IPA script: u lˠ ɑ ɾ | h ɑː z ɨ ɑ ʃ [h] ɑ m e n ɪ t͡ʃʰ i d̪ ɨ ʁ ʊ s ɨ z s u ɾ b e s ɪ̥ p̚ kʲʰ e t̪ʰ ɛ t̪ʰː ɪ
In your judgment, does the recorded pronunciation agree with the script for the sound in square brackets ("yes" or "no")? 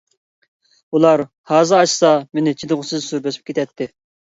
no